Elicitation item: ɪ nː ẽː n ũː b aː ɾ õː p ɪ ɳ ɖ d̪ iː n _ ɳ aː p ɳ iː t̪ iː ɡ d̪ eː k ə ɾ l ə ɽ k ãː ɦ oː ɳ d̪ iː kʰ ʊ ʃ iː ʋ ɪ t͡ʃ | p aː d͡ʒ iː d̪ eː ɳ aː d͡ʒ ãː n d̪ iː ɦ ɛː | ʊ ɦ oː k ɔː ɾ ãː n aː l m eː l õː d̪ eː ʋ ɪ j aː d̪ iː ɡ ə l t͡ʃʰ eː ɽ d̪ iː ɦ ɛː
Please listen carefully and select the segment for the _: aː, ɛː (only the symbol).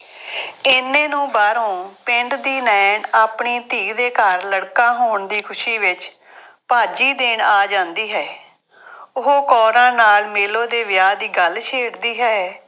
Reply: ɛː